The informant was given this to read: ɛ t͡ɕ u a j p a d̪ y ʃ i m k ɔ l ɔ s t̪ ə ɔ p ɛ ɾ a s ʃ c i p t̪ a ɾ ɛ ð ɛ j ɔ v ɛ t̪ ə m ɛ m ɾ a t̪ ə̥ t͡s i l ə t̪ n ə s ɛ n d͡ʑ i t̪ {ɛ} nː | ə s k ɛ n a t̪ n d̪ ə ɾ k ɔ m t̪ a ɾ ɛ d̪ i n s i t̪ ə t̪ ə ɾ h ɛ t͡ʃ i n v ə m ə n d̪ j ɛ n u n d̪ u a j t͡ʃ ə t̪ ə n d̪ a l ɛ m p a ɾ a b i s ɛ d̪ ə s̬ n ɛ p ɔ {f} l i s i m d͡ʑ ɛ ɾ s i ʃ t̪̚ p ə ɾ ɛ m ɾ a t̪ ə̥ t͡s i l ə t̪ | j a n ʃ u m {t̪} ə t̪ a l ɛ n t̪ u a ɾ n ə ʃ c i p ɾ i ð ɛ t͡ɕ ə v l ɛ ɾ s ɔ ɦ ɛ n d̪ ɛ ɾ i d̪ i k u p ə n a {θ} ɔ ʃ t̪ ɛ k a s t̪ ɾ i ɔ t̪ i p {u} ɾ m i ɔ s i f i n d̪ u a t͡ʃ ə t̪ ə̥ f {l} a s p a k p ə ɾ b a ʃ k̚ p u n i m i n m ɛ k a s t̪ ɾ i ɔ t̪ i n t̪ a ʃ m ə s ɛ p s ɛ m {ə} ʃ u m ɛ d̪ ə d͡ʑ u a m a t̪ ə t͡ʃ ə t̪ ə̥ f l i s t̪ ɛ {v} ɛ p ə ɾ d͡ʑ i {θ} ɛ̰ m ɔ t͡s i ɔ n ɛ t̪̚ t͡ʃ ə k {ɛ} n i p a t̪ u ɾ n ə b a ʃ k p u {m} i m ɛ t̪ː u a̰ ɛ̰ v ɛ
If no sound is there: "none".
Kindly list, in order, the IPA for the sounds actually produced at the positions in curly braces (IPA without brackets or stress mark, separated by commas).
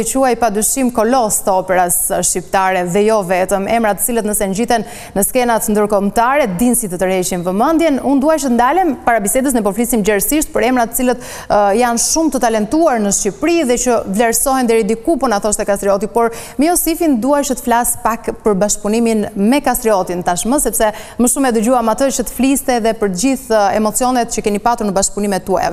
ɛ, f, t̪, θ, ɔ, l, ə, ð, θ, ɛ, n